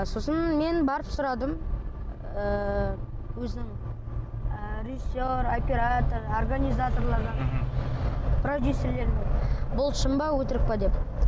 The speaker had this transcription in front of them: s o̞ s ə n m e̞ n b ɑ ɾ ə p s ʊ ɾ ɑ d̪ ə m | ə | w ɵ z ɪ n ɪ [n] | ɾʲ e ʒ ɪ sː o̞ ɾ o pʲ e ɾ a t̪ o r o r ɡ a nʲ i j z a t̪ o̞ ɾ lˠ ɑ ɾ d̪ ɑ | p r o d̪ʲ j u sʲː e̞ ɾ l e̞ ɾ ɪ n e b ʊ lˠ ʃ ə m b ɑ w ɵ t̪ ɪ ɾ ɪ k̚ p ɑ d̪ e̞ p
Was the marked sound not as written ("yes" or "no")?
yes